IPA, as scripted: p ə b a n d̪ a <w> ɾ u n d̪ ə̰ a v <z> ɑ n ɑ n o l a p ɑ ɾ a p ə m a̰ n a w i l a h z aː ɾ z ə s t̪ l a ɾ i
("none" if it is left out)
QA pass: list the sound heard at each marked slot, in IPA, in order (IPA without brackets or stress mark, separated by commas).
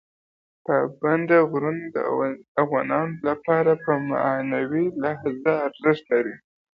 ɣ, ɣ